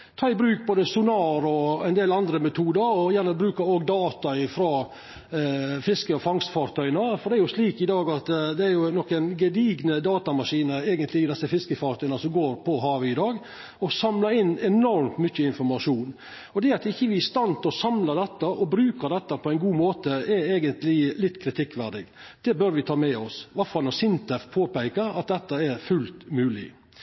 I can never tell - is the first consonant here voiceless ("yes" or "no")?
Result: yes